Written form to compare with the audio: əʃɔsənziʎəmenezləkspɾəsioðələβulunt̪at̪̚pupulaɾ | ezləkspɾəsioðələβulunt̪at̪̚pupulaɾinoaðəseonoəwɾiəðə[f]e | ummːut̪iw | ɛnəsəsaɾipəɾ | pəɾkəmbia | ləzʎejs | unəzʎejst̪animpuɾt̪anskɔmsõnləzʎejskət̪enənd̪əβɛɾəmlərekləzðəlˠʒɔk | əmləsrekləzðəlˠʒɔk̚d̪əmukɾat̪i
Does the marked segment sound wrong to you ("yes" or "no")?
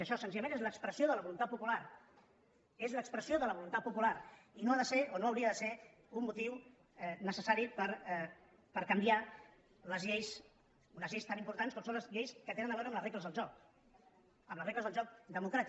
yes